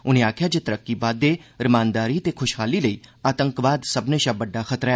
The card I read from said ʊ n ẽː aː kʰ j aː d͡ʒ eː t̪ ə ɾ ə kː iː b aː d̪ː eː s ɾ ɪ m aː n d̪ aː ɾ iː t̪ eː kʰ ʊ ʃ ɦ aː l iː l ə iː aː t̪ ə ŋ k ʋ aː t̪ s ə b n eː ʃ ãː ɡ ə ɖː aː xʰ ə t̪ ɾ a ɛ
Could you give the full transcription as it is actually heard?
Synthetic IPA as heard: ʊ n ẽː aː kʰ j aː d͡ʒ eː t̪ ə ɾ ə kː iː b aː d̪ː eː ɾ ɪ m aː n d̪ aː ɾ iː t̪ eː kʰ ʊ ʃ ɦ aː l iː l ə iː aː t̪ ə ŋ k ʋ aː d̪ s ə b n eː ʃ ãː b ə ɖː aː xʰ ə t̪ ɾ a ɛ